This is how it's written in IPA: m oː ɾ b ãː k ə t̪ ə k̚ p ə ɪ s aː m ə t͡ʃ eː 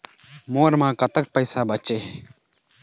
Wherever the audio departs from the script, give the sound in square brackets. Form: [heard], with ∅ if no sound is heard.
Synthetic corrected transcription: m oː ɾ [m] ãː k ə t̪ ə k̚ p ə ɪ s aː [b] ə t͡ʃ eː